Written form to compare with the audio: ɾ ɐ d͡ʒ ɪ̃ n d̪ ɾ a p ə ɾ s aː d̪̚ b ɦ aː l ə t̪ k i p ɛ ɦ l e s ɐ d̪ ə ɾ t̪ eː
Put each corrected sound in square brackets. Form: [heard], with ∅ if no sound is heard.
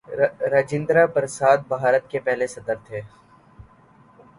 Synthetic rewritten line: ɾ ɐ d͡ʒ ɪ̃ n d̪ ɾ a p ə ɾ s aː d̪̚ b ɦ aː [ɾ] ə t̪ k [e] p ɛ ɦ l e s ɐ d̪ ə ɾ [t̪ʰ] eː